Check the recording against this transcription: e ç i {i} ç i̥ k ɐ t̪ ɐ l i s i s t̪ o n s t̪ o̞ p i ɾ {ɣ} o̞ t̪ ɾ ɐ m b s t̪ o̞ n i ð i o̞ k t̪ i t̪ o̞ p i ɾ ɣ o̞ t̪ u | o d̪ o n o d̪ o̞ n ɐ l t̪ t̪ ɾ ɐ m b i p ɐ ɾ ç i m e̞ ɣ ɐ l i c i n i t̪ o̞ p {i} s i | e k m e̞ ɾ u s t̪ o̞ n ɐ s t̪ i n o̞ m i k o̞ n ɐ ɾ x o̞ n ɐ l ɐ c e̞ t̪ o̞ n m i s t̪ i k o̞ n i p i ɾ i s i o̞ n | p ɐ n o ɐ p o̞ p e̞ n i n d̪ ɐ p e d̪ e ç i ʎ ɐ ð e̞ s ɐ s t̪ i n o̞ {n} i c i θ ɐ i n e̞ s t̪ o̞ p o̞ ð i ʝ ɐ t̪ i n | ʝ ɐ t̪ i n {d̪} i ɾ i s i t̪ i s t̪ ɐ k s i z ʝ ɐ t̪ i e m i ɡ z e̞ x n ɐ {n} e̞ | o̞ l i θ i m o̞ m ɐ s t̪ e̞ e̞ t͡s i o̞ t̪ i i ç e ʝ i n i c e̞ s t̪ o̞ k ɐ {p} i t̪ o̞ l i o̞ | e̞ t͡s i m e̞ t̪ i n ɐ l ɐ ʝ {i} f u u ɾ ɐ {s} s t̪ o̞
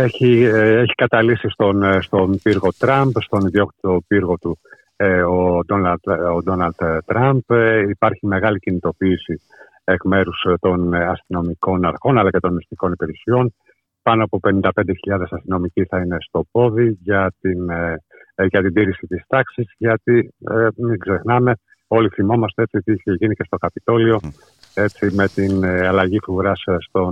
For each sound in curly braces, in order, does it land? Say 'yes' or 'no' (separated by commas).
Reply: no, yes, no, no, yes, no, yes, yes, yes